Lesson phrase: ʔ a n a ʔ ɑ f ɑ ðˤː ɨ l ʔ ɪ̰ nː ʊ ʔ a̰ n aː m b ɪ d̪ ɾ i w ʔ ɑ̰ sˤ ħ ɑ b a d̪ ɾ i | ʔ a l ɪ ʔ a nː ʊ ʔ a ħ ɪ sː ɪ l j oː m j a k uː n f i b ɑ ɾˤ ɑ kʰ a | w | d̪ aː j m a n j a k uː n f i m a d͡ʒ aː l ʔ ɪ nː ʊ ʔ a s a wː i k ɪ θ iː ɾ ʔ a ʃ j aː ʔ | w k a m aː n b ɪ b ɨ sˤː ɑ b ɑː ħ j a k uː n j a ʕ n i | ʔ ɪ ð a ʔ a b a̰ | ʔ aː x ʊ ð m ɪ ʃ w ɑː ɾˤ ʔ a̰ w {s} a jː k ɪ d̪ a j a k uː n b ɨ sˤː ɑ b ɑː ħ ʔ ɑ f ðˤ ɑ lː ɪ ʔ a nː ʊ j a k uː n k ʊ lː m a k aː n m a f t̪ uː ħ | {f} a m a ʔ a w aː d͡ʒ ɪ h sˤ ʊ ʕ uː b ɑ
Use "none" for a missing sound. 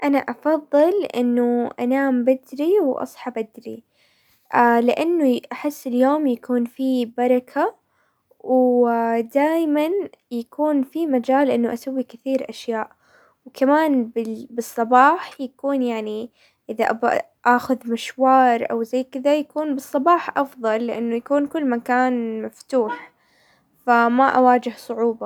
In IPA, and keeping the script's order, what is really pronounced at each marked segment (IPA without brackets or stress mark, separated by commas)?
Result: z, f